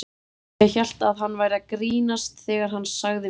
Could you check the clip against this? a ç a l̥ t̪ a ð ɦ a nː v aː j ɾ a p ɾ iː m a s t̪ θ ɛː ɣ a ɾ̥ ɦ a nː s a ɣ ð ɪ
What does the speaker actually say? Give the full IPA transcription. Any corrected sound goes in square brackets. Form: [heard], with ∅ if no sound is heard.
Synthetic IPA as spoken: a ç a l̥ t̪ a ð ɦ a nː v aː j ɾ a [k] ɾ iː [n] a s t̪ θ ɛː ɣ a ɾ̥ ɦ a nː s a ɣ ð ɪ